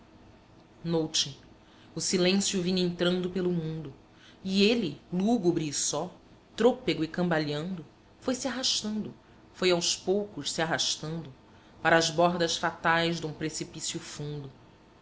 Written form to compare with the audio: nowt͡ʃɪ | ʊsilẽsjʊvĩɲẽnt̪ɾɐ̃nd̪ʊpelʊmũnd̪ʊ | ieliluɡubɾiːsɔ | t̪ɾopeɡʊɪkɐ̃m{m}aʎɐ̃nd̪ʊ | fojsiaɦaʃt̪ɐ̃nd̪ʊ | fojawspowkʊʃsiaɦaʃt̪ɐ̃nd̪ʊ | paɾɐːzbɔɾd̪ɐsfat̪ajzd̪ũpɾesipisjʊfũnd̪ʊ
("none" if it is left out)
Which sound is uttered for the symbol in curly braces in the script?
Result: b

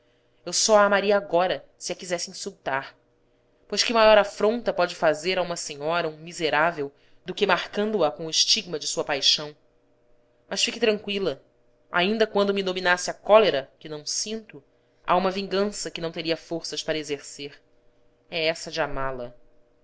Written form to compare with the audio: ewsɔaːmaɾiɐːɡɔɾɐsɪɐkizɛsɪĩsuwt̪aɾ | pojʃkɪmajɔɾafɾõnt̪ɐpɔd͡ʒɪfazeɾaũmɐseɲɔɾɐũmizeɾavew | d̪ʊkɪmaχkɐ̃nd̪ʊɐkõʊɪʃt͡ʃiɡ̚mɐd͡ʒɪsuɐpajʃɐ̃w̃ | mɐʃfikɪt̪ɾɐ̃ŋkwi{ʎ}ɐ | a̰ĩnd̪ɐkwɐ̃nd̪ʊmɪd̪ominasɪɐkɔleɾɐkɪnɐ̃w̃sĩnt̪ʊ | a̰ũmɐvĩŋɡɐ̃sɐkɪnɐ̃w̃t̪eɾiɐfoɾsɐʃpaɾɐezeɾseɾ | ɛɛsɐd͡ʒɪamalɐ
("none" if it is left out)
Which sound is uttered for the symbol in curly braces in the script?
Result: l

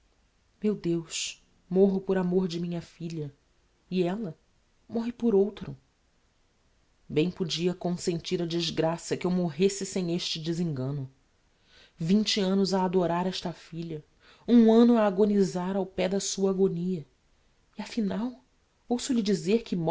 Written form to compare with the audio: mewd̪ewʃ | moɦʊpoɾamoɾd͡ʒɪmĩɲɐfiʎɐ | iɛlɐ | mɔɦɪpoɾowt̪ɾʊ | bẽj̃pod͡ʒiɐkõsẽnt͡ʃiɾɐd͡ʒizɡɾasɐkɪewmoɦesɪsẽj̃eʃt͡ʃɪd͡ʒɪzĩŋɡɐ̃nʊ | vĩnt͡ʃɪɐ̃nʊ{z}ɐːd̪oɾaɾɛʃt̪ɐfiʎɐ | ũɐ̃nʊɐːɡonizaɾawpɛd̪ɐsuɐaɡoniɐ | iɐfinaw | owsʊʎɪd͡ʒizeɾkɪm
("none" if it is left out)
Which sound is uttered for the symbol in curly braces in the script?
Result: z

